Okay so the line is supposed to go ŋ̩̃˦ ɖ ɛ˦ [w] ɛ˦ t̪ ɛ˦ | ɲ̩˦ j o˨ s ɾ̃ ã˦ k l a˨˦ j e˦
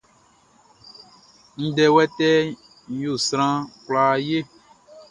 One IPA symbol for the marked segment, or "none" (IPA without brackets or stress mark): w